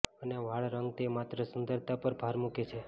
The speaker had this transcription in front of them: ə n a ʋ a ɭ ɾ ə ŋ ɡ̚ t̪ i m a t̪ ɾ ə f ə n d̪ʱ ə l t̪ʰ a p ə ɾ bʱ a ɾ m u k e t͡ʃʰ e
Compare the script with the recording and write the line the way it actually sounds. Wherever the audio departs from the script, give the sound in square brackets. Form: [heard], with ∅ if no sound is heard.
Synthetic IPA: ə n [e] ʋ a ɭ ɾ ə ŋ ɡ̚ t̪ [e] m a t̪ ɾ ə [s] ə n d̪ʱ ə [ɾ] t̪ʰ a p ə ɾ bʱ a ɾ m u k e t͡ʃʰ e